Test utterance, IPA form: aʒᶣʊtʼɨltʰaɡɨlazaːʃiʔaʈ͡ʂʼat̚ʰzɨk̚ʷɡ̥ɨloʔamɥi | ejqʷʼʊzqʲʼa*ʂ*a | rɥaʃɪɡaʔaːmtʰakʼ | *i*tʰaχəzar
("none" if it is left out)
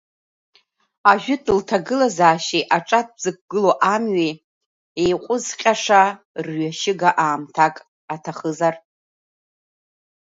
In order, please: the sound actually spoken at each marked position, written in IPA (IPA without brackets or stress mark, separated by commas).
ʂ, a